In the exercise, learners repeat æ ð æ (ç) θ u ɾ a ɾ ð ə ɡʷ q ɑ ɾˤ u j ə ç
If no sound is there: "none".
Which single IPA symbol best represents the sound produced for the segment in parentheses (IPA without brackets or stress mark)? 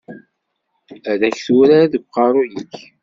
ç